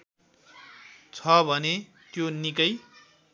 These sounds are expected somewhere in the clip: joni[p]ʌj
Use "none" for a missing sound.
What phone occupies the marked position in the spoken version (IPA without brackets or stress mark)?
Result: k